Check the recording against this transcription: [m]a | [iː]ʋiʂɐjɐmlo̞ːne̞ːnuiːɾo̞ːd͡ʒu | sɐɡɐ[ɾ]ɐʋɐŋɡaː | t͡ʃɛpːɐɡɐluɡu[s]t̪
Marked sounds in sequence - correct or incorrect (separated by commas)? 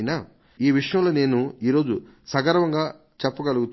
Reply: incorrect, correct, correct, incorrect